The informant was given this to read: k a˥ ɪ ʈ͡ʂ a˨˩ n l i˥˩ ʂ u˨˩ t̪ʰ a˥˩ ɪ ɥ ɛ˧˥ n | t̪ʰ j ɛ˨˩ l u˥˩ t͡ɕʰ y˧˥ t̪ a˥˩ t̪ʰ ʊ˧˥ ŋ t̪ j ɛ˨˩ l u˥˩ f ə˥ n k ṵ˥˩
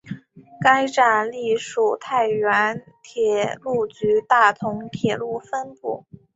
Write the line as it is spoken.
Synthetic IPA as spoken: k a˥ ɪ ʈ͡ʂ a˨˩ n l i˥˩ ʂ u˨˩ t̪ʰ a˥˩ ɪ ɥ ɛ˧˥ n | t̪ʰ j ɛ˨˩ l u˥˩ t͡ɕ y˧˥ t̪ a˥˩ t̪ʰ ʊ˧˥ ŋ t̪ʰ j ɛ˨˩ l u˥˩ f ə˥ n p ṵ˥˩